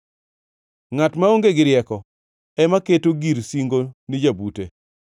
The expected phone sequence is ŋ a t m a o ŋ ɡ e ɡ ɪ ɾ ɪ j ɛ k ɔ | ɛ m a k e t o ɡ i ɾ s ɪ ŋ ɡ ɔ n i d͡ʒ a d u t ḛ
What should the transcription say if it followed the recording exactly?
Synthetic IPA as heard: ŋ a t m a o ŋ ɡ e ɡ ɪ ɾ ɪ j ɛ k ɔ | ɛ m a k e t o ɡ i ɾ s i ŋ ɡ o n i d͡ʒ a b u t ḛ